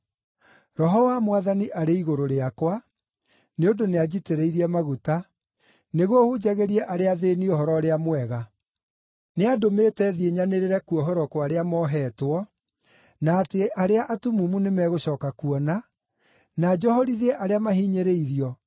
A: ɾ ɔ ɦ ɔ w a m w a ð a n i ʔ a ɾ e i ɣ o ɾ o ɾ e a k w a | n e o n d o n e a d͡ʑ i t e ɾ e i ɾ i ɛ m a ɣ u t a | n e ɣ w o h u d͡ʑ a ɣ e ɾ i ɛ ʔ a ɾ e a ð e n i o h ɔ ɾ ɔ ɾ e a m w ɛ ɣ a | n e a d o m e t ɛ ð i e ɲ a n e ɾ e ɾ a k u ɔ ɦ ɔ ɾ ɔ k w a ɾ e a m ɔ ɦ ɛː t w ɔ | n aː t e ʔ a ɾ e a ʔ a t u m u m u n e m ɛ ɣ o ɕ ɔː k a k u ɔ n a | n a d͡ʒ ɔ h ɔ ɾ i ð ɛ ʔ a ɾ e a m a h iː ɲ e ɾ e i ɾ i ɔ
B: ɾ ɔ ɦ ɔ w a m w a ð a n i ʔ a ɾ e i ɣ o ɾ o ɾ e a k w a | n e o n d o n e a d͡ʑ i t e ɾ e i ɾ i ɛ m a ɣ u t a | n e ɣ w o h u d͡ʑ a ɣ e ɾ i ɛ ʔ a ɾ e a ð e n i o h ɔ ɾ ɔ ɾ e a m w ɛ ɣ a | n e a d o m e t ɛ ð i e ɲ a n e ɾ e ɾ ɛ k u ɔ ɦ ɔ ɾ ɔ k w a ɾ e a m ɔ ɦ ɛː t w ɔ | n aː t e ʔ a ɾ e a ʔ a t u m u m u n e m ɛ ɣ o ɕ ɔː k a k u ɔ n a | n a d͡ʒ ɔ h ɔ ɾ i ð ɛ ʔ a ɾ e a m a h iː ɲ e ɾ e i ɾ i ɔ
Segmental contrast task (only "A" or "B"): B